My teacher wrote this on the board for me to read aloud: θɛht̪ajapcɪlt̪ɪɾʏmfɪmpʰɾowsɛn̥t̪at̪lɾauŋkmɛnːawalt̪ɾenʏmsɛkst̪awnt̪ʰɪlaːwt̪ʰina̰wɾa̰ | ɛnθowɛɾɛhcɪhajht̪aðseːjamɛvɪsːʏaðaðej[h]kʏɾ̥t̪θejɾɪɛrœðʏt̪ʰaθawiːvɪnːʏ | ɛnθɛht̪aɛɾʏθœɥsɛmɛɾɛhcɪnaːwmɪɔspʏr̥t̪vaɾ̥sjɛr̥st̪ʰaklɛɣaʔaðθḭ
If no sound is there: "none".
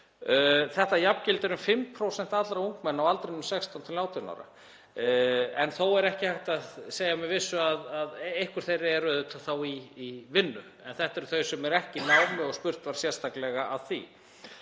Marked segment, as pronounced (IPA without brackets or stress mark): h